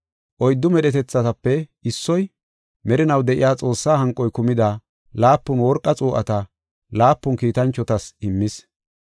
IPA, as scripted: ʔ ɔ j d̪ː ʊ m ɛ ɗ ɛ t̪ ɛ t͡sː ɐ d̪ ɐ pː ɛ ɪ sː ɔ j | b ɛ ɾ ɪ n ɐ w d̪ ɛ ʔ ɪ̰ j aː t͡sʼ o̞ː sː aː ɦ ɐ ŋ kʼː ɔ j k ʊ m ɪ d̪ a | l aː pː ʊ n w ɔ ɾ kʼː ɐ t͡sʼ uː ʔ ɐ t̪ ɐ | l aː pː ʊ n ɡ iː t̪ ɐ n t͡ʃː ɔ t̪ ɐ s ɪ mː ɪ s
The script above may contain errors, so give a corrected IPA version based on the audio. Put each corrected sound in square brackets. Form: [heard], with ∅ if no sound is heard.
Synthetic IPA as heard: ʔ ɔ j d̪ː ʊ m ɛ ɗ ɛ t̪ ɛ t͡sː ɐ [t̪] ɐ pː ɛ ɪ sː ɔ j | [m] ɛ ɾ ɪ n ɐ w d̪ ɛ ʔ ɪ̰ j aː t͡sʼ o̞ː sː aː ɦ ɐ ŋ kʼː ɔ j k ʊ m ɪ d̪ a | l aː pː ʊ n w ɔ ɾ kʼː ɐ t͡sʼ uː ʔ ɐ t̪ ɐ | l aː pː ʊ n [k] iː t̪ ɐ n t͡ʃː ɔ t̪ ɐ s ɪ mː ɪ s